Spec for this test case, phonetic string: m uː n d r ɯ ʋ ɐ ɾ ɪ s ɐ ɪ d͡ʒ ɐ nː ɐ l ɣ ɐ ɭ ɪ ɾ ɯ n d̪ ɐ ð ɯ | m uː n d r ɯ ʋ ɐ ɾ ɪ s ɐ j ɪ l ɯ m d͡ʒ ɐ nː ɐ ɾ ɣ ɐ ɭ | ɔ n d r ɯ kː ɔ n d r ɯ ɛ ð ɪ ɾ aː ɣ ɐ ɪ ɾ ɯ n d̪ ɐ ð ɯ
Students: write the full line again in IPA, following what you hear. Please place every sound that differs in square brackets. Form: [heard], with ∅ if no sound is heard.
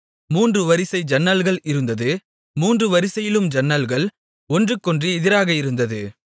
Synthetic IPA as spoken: m uː n d r ɯ ʋ ɐ ɾ ɪ s ɐ ɪ d͡ʒ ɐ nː ɐ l ɣ ɐ ɭ ɪ ɾ ɯ n d̪ ɐ ð ɯ | m uː n d r ɯ ʋ ɐ ɾ ɪ s ɐ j ɪ l ɯ m d͡ʒ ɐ nː ɐ [l] ɣ ɐ ɭ | ɔ n d r ɯ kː ɔ n d r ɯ ɛ ð ɪ ɾ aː ɣ ɐ ɪ ɾ ɯ n d̪ ɐ ð ɯ